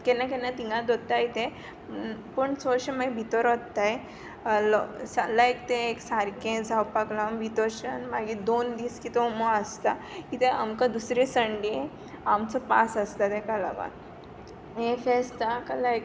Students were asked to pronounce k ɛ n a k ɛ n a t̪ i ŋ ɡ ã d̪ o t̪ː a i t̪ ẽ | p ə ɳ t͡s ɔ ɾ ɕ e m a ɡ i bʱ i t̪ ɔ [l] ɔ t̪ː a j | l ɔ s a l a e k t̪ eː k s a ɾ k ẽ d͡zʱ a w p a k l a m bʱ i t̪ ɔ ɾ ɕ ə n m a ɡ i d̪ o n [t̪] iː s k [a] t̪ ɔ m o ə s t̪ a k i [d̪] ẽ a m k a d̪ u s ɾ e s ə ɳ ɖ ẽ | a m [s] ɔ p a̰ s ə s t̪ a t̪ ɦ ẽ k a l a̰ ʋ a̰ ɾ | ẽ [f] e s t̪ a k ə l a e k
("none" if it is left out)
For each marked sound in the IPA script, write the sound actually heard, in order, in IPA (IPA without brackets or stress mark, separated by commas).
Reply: ɾ, d̪, i, t̪, t͡s, f